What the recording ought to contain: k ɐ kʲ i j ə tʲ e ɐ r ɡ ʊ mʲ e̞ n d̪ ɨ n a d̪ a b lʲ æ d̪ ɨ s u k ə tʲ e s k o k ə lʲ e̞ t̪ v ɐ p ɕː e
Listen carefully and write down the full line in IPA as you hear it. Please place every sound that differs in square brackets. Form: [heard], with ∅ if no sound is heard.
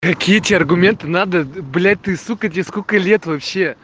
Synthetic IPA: k ɐ kʲ i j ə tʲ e ɐ r ɡ ʊ mʲ e̞ n [t̪] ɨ n a d̪ [ə] b lʲ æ [t̪] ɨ s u k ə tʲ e s k o k ə lʲ e̞ t̪ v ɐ p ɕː e